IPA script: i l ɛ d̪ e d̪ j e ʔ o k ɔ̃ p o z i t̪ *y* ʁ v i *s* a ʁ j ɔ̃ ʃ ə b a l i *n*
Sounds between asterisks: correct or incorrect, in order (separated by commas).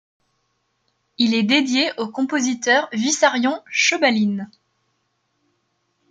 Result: incorrect, correct, correct